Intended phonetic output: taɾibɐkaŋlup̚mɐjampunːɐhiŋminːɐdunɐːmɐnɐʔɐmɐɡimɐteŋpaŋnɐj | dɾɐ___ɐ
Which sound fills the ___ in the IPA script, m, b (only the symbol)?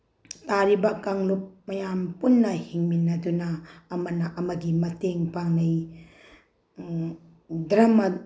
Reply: m